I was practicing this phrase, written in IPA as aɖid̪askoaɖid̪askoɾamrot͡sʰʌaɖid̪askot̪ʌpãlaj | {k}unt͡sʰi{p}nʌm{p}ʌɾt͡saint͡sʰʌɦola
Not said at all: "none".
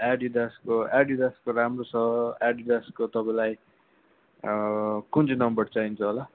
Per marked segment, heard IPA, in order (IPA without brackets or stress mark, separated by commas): k, none, b